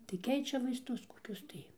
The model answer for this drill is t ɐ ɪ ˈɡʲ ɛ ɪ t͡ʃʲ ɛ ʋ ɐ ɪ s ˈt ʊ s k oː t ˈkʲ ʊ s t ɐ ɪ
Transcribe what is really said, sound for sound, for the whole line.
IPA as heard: t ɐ ɪ ˈkʲ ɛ ɪ t͡ʃʲ ɛ ʋ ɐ ɪ s ˈt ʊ s k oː ˈkʲ ʊ s t ɐ ɪ